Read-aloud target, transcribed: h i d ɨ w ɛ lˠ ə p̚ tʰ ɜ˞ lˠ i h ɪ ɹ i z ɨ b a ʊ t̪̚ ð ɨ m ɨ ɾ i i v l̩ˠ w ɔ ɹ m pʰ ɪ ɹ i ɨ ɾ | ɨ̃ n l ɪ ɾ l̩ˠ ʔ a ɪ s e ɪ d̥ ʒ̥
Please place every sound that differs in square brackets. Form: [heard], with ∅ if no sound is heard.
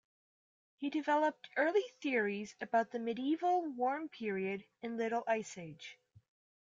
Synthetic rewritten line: h i d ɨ [v] ɛ lˠ ə p̚ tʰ ɜ˞ lˠ i [θ] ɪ ɹ i z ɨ b a ʊ t̪̚ ð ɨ m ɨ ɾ i i v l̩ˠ w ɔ ɹ m pʰ ɪ ɹ i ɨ ɾ | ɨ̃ n l ɪ ɾ l̩ˠ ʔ a ɪ s e ɪ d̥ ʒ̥